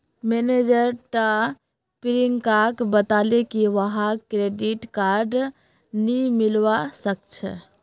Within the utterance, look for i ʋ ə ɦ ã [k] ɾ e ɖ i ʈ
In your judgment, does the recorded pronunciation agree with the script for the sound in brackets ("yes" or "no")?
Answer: yes